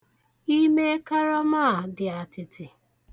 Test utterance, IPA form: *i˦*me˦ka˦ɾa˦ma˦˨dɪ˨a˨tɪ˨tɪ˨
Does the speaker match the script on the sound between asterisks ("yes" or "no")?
yes